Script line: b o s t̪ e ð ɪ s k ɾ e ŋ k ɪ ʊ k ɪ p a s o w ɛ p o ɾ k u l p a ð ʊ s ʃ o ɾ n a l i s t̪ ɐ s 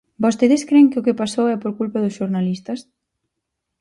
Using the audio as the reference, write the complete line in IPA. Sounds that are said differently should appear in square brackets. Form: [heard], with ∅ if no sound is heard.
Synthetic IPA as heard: b o s t̪ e ð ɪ s k ɾ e ŋ k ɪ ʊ k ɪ p a s o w ɛ p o ɾ k u l p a ð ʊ s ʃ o ɾ n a l i s t̪ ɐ s

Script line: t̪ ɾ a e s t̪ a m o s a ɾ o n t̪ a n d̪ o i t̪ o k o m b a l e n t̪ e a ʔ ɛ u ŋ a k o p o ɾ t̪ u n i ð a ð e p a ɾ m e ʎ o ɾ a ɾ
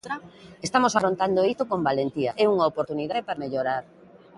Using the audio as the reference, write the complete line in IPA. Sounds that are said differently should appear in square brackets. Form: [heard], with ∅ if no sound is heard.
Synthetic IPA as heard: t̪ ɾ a e s t̪ a m o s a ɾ o n t̪ a n d̪ o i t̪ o k o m b a l e n t̪ [i] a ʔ ɛ u ŋ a [∅] o p o ɾ t̪ u n i ð a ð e p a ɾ m e ʎ o ɾ a ɾ

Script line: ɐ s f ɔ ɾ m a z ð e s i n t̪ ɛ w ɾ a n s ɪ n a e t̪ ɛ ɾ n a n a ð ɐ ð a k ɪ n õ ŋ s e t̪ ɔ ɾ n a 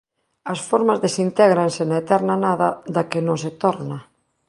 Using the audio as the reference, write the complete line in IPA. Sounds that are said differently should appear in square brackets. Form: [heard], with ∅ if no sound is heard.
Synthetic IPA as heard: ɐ s f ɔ ɾ m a z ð e s i n t̪ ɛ [ɣ] ɾ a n s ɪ n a e t̪ ɛ ɾ n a n a ð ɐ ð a k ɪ n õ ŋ s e t̪ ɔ ɾ n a

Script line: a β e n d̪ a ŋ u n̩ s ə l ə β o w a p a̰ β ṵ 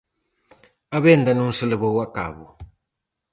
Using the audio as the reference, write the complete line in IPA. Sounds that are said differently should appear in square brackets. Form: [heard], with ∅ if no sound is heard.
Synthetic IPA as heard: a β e n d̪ a [n] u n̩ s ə l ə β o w a [k] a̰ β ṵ

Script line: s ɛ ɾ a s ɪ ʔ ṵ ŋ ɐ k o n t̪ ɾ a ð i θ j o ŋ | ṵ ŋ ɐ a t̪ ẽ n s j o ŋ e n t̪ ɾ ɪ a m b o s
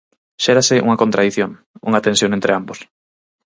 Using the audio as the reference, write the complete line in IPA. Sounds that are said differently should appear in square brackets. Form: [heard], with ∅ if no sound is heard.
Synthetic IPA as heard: [ʃ] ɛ ɾ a s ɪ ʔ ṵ ŋ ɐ k o n t̪ ɾ a ð i θ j o ŋ | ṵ ŋ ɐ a t̪ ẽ n s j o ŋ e n t̪ ɾ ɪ a m b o s

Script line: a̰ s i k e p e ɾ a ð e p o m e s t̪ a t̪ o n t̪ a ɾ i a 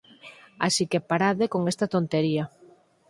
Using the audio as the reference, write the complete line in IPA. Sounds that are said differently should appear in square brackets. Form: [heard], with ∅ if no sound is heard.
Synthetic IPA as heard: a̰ s i k e p [a] ɾ a ð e [k] o [ŋ] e s t̪ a t̪ o n t̪ [e] ɾ i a

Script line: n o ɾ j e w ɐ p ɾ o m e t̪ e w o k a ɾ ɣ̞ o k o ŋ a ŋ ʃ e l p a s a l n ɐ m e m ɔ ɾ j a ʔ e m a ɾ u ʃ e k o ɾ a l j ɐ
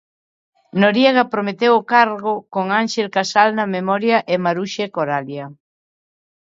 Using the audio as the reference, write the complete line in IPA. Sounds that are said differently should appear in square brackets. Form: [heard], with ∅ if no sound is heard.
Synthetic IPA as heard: n o ɾ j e [ɣ] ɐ p ɾ o m e t̪ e w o k a ɾ ɣ̞ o k o ŋ a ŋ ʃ e l [k] a s a l n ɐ m e m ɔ ɾ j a ʔ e m a ɾ u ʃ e k o ɾ a l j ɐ

